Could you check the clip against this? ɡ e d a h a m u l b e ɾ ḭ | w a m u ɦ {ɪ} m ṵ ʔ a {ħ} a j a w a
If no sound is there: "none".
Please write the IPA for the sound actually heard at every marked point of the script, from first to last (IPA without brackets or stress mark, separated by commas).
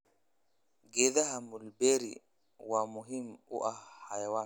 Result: i, h